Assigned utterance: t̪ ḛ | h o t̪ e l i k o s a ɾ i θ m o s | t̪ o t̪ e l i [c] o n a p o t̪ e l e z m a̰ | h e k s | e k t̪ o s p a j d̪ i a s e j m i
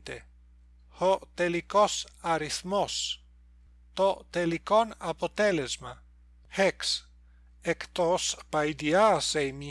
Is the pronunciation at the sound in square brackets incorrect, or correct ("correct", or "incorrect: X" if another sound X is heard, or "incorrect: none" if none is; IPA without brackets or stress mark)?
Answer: incorrect: k